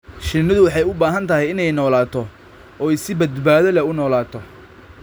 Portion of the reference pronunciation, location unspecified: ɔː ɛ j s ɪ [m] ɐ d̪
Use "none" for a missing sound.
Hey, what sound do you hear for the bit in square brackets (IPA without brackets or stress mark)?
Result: b